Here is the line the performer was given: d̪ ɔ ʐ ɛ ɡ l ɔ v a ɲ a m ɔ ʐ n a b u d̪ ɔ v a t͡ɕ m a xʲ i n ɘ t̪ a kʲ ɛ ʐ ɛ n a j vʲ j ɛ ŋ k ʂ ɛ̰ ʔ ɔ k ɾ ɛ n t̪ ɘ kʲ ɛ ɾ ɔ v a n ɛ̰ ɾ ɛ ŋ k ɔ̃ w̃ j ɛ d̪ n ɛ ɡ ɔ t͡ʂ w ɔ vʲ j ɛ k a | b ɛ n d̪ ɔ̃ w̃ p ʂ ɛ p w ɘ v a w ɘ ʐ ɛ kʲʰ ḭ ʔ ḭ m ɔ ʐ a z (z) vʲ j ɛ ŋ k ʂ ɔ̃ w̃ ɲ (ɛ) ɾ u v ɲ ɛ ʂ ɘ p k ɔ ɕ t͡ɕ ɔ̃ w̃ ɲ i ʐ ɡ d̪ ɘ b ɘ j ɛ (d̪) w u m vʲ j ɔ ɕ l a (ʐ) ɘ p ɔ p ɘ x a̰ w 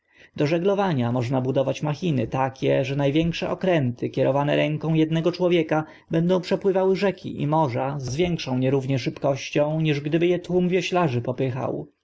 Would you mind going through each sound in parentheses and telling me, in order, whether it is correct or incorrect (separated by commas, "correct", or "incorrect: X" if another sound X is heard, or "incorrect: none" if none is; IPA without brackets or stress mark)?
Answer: correct, correct, incorrect: t̪, correct